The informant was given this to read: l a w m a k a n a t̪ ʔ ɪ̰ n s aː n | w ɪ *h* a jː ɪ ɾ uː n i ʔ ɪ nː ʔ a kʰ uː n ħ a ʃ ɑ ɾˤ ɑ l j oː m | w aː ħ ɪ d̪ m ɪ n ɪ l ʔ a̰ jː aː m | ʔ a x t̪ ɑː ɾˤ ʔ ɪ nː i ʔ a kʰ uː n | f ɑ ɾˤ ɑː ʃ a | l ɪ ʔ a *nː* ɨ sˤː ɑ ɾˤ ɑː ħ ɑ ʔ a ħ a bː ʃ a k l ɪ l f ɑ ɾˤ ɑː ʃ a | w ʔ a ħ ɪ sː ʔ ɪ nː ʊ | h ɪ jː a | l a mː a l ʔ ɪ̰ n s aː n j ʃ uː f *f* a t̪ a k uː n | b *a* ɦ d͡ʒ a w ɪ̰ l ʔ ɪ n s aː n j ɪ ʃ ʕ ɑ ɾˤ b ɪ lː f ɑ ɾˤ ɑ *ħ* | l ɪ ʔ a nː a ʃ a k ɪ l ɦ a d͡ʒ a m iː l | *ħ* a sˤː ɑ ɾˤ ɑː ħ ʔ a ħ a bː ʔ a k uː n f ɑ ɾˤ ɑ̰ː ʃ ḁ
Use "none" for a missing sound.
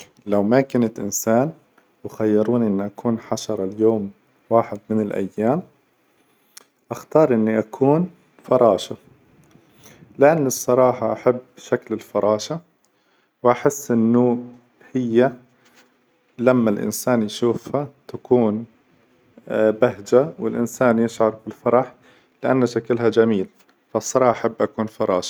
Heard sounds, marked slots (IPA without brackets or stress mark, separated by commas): x, nː, h, a, ħ, f